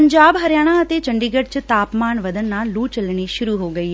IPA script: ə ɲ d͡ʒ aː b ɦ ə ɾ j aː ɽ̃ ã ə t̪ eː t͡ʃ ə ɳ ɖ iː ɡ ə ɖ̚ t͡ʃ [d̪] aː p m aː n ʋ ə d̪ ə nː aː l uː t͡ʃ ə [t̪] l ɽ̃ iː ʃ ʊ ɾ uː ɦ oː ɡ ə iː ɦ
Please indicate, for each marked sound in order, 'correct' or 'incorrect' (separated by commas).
incorrect, incorrect